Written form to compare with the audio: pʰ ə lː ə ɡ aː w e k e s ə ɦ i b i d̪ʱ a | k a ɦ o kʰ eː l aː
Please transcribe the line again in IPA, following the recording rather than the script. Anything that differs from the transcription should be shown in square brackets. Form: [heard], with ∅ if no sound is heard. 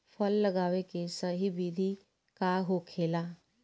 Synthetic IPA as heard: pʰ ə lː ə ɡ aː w e k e s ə ɦ i b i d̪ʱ [i] | k a ɦ o kʰ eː l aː